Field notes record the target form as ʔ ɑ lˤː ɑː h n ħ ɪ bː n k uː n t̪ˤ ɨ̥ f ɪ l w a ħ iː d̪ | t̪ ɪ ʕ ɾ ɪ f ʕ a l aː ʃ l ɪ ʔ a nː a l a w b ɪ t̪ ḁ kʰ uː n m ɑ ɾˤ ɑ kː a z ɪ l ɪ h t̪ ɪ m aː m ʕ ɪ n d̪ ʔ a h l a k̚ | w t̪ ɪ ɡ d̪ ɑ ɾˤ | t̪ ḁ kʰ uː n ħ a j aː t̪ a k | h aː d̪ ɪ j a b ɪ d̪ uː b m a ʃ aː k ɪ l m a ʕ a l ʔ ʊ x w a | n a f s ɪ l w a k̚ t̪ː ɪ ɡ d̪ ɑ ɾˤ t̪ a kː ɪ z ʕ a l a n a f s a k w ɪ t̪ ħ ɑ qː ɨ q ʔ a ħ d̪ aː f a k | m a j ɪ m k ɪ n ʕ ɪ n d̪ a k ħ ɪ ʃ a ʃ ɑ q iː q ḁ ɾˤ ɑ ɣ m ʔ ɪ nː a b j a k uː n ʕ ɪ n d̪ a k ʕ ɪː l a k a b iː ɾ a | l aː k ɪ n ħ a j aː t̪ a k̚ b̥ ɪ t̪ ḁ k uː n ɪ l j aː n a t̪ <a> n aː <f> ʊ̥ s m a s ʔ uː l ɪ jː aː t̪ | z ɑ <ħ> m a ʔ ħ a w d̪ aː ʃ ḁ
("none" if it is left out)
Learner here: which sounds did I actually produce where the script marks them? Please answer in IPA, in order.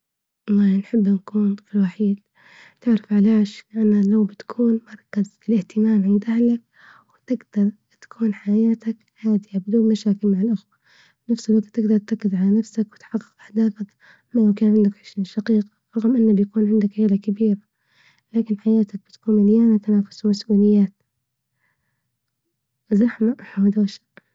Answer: a, f, ħ

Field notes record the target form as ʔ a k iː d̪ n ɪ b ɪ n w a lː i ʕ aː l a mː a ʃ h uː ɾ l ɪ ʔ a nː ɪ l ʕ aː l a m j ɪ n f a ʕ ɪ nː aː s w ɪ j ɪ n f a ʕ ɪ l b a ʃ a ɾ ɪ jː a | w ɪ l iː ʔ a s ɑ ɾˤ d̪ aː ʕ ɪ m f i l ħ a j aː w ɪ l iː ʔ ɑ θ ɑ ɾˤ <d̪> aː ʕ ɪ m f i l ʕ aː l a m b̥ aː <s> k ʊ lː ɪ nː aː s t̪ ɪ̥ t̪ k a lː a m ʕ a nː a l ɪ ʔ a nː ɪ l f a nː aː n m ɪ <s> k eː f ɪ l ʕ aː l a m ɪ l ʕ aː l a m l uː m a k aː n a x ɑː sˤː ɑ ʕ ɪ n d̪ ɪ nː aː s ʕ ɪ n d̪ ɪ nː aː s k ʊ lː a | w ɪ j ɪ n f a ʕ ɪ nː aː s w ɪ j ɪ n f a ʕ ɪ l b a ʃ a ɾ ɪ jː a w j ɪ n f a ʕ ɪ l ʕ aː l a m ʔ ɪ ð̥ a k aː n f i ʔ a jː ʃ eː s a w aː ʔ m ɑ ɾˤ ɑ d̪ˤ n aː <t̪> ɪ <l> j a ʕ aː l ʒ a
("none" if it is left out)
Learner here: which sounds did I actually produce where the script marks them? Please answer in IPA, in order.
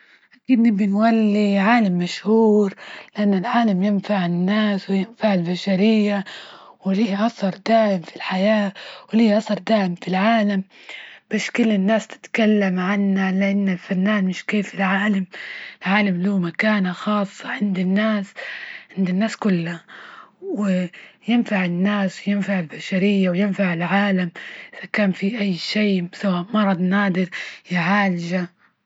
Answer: d̪, ʃ, ʃ, d̪, ɾ

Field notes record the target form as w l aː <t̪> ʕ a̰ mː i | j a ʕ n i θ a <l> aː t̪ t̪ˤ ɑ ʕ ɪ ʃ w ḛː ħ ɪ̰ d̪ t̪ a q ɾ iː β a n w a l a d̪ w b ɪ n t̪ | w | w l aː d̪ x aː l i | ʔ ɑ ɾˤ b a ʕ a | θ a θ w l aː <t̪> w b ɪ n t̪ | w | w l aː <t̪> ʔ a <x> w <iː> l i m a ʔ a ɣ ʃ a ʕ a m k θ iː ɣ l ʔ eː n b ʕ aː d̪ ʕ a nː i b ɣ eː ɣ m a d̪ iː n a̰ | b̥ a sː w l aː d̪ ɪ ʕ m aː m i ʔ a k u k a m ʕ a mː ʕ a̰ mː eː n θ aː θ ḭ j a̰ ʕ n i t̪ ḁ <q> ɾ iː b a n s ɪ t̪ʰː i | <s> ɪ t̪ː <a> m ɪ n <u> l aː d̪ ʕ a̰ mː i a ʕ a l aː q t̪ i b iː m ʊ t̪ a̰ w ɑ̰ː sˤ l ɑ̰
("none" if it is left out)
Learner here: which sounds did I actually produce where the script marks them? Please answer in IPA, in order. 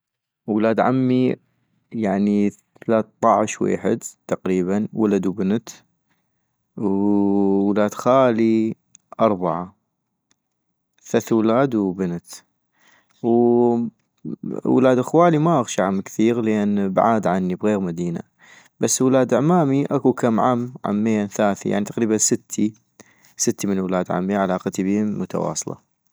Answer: d̪, l, d̪, d̪, x, aː, q, s, i, w

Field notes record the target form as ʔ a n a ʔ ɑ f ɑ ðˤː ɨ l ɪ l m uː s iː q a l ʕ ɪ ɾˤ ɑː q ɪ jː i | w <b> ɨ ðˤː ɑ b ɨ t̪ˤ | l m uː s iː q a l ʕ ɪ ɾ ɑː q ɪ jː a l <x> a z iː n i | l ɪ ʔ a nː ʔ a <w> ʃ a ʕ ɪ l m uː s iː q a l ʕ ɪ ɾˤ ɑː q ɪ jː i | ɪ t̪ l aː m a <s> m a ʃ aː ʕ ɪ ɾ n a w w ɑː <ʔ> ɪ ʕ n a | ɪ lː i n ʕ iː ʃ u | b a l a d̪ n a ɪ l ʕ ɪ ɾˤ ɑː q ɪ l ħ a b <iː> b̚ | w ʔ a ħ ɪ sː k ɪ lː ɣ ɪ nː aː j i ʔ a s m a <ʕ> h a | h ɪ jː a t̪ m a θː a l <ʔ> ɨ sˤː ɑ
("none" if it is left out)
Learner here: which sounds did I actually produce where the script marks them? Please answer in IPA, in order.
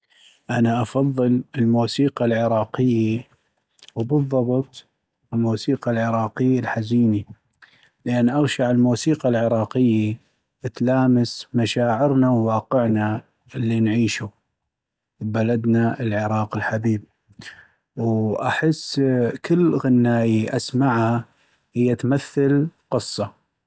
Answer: b, ħ, ɣ, s, q, iː, ʕ, q

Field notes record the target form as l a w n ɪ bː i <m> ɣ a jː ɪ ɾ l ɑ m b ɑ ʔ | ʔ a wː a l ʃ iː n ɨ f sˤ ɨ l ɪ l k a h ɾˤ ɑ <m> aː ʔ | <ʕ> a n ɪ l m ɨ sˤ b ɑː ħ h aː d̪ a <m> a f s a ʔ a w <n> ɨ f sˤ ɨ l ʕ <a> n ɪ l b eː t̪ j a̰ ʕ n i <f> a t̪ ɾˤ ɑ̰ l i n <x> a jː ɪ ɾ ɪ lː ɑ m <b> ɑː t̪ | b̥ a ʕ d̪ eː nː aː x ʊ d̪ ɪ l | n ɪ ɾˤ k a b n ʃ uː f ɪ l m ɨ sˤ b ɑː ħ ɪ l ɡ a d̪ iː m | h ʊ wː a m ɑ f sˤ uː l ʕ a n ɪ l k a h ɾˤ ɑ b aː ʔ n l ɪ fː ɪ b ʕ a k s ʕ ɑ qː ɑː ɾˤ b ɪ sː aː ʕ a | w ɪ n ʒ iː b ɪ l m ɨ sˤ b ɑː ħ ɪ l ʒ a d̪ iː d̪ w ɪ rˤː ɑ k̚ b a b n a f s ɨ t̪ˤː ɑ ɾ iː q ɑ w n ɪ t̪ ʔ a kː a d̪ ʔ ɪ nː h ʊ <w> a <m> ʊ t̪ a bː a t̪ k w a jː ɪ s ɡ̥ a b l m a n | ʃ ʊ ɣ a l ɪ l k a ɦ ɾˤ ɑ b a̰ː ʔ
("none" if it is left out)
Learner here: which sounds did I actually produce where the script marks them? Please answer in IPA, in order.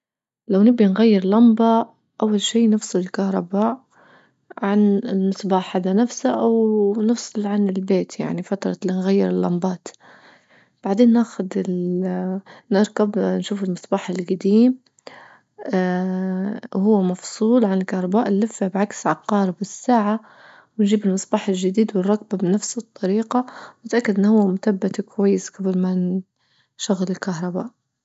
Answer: n, b, ʕ, n, n, a, f, ɣ, b, wː, m

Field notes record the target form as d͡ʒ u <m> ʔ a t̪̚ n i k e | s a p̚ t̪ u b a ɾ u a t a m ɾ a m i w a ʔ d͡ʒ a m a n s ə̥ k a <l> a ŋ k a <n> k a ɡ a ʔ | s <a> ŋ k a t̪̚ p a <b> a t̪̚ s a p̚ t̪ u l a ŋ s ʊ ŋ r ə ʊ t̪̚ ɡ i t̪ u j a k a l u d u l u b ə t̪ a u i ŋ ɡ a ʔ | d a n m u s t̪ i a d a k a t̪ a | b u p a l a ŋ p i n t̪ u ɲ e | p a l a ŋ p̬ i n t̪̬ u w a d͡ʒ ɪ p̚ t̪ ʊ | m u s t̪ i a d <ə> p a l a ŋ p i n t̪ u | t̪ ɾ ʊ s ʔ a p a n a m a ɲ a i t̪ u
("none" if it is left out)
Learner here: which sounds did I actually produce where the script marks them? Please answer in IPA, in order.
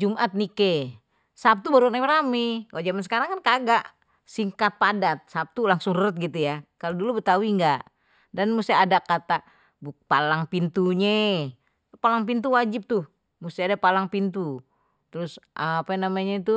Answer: m, ɾ, n, i, d, a

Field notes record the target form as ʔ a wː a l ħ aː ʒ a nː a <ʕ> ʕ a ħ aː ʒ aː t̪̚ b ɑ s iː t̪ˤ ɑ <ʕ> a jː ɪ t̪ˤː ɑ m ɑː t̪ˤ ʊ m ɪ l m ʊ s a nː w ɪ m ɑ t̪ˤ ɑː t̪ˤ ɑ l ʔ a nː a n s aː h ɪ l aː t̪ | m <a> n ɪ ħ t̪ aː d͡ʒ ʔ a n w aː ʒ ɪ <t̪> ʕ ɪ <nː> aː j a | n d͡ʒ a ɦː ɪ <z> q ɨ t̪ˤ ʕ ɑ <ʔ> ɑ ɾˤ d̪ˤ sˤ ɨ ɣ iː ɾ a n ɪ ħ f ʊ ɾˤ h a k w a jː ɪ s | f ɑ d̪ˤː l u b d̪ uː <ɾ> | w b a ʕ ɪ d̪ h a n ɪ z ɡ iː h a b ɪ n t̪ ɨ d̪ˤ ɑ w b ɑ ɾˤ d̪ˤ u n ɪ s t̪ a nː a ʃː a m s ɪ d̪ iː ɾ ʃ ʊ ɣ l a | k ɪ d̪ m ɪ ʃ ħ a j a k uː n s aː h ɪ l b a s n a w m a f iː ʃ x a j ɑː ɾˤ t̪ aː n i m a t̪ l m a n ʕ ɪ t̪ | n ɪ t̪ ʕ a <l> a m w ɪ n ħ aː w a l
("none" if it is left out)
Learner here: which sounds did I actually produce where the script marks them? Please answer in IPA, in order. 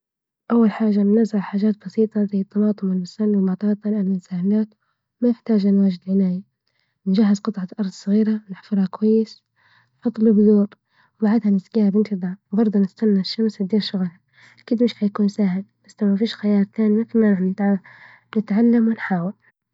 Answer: z, z, a, d̪, n, z, ʔ, ɾ, lː

